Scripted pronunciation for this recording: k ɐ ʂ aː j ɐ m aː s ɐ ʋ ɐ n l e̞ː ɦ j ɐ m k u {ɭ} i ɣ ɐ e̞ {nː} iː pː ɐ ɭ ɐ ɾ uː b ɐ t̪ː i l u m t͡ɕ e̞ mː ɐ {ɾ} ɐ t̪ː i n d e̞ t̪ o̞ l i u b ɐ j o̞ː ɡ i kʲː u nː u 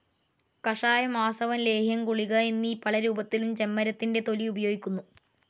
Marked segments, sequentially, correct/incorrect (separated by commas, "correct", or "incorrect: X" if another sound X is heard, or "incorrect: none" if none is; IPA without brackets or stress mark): correct, correct, correct